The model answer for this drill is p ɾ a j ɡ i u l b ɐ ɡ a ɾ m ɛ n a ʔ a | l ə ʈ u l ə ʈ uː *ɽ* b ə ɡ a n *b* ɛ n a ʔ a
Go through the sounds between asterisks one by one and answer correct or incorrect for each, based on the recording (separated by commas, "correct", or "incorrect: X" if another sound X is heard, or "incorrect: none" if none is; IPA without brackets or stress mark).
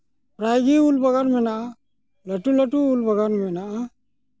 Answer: incorrect: l, incorrect: m